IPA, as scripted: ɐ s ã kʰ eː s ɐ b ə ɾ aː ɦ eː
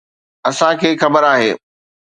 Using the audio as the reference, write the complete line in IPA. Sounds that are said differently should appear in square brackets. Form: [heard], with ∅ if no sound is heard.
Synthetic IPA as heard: ɐ s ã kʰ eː [x] ɐ b ə ɾ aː ɦ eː